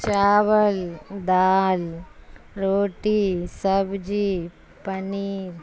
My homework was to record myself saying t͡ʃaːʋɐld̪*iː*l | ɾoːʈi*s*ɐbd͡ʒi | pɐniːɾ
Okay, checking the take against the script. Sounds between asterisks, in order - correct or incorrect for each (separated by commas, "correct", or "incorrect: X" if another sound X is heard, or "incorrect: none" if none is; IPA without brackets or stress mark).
incorrect: aː, correct